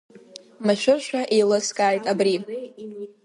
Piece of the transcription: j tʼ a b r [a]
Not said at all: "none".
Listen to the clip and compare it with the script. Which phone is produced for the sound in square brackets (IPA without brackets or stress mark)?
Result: i